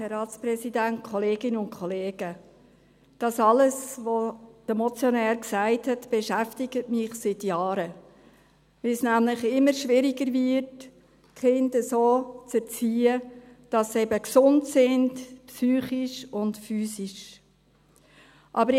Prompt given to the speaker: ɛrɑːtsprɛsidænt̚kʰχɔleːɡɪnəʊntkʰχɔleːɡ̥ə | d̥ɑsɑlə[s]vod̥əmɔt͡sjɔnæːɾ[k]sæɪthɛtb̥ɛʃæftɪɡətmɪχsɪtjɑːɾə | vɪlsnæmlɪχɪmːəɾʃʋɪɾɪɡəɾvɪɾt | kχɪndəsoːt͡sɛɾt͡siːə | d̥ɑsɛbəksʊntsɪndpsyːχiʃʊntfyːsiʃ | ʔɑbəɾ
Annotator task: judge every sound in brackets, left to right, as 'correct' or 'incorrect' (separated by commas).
correct, correct